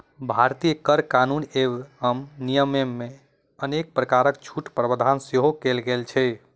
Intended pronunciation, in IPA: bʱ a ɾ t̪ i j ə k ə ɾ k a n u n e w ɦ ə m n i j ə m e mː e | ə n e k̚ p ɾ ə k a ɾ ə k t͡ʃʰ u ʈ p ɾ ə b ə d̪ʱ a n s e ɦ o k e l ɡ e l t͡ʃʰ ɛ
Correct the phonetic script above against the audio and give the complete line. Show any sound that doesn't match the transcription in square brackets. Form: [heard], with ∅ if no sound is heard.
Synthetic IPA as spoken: bʱ a ɾ t̪ i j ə k ə ɾ k a n u n e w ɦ ə m n i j ə m e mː e | ə n e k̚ p ɾ ə k a ɾ ə k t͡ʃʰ u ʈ p ɾ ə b ə d̪ʱ a n s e ɦ o k e l ɡ e l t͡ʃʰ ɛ

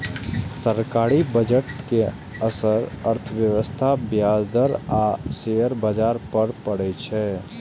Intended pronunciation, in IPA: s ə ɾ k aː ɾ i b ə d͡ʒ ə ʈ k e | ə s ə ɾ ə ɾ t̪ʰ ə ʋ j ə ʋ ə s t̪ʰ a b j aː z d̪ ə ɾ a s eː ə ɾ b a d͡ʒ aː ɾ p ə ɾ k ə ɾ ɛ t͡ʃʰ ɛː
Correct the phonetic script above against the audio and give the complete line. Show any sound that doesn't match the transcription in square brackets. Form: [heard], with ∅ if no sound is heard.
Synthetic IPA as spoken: s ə ɾ k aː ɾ i b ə d͡ʒ ə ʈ k e | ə s ə ɾ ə ɾ t̪ʰ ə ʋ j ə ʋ ə s t̪ʰ a b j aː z d̪ ə ɾ a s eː ə ɾ b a d͡ʒ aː ɾ p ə ɾ [p] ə [ɽ] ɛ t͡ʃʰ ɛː

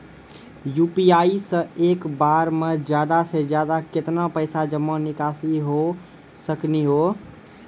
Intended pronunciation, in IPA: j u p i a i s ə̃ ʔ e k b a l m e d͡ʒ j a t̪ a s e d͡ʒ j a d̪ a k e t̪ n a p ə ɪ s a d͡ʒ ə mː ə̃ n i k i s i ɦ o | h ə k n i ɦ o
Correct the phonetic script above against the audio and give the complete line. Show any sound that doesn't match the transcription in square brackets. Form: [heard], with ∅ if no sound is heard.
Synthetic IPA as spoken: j u p i a i s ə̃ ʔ e k b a [ɾ] m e d͡ʒ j a [d̪] a s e d͡ʒ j a d̪ a k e t̪ n a p ə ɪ s a d͡ʒ ə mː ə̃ n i k [a] s i ɦ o | [s] ə k n i ɦ o

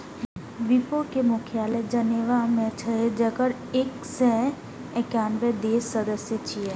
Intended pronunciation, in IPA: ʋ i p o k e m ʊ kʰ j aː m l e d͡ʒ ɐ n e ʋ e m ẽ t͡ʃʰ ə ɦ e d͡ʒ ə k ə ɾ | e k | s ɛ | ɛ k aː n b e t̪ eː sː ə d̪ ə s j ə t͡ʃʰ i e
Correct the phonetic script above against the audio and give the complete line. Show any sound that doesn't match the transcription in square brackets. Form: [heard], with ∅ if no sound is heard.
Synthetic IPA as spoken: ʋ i p o k e m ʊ kʰ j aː [∅] l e d͡ʒ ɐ n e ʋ [a] m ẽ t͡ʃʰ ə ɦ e d͡ʒ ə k ə ɾ | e k | s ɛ | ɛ k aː n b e [d̪] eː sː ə d̪ ə s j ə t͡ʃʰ i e

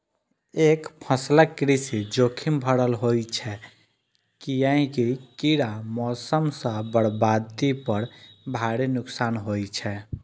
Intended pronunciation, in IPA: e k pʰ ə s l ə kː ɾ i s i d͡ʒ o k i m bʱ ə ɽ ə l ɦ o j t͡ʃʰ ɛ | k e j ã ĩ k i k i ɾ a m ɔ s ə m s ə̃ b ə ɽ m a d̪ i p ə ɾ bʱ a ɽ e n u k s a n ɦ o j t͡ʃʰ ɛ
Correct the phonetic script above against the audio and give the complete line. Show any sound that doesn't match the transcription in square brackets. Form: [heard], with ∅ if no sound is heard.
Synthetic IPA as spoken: e k pʰ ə s l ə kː ɾ i s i d͡ʒ o [kʰ] i m bʱ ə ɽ ə l ɦ o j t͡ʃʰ ɛ | k [i] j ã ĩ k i k i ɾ a m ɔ s ə m s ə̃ b ə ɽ [b] a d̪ i p ə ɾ bʱ a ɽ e n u k s a n ɦ o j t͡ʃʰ ɛ

